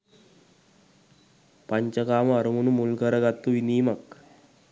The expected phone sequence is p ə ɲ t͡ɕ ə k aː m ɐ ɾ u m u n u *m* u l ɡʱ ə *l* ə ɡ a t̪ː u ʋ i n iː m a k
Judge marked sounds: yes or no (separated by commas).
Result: yes, no